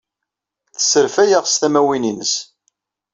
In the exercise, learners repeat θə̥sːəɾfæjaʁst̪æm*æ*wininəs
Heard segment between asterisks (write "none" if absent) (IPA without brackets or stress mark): æ